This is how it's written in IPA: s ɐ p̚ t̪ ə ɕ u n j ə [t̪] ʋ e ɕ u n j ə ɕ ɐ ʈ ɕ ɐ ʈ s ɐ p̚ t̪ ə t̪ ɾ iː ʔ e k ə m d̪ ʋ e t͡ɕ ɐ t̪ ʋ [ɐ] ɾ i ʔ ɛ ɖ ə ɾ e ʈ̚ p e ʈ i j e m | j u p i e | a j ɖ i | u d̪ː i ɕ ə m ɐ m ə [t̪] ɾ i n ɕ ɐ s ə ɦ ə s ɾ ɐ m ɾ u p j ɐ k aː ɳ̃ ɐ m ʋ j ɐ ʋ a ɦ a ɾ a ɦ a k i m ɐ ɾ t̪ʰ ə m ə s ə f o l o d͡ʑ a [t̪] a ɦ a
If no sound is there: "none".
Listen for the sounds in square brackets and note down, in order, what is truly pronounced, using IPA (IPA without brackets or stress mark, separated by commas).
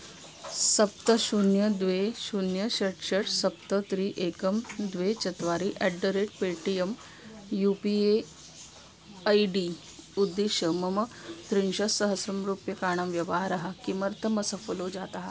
d̪, a, t̪, t̪